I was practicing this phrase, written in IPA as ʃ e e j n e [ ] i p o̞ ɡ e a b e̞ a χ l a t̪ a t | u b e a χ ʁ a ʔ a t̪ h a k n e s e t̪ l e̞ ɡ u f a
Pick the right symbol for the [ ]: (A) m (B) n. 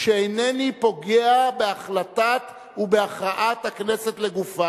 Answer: B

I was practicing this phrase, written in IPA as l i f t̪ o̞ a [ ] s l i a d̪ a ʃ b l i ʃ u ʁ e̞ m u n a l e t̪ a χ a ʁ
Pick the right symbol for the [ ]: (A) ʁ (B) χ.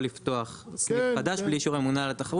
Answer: B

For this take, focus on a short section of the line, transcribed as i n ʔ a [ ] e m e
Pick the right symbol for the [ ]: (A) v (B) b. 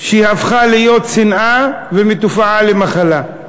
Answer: A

